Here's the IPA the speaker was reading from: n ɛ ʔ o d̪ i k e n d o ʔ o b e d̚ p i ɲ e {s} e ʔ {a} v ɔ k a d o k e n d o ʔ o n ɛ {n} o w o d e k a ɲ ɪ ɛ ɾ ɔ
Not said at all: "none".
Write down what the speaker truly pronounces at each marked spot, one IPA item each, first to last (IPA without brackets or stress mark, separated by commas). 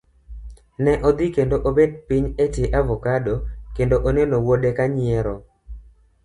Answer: t, a, n